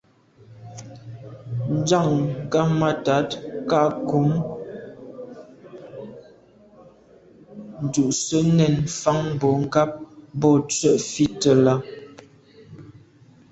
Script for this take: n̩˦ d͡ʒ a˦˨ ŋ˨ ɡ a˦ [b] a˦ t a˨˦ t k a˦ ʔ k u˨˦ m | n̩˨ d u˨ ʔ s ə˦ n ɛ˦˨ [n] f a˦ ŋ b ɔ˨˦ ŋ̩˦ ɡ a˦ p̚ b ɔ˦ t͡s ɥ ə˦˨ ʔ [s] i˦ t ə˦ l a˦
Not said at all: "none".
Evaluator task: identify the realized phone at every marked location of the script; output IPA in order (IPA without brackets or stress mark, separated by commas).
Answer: m, n, f